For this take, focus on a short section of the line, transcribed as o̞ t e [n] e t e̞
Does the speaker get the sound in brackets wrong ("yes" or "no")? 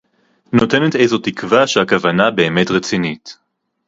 no